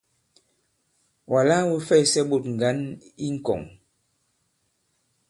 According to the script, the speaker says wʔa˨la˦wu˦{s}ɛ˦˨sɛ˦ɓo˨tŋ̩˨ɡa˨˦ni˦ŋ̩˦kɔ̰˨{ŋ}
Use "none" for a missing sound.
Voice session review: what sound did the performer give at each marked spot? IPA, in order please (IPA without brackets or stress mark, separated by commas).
f, ŋ